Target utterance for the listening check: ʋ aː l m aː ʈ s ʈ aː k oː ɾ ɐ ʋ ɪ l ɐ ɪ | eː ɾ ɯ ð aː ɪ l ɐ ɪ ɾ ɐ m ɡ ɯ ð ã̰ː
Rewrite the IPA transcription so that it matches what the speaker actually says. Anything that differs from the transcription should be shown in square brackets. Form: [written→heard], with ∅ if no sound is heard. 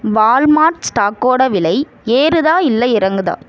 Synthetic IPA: ʋ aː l m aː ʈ s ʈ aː k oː [ɾ→ɽ] ɐ ʋ ɪ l ɐ ɪ | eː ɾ ɯ ð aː ɪ [l→lː] ɐ ɪ ɾ ɐ [m→ŋ] ɡ ɯ ð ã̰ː